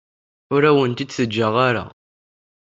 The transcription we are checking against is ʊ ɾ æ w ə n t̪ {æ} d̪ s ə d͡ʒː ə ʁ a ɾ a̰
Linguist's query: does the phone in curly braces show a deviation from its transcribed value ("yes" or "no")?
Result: yes